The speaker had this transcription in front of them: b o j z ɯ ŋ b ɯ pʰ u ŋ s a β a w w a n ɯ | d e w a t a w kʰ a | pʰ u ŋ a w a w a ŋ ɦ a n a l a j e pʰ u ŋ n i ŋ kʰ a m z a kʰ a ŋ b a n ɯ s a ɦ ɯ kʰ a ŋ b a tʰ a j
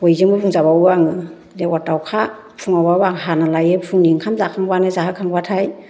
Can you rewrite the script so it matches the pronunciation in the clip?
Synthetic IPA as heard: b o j z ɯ ŋ b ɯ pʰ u ŋ z a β a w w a ŋ ɯ | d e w a t a w kʰ a | pʰ u ŋ a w a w a ŋ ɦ a n a l a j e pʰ u ŋ n i ŋ kʰ a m z a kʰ a ŋ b a n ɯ z a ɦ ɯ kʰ a ŋ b a tʰ a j